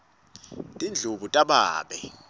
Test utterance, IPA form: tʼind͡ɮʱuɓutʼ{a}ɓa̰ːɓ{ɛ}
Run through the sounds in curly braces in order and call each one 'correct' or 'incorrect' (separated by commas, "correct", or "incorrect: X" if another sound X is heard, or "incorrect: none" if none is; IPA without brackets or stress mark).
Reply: correct, correct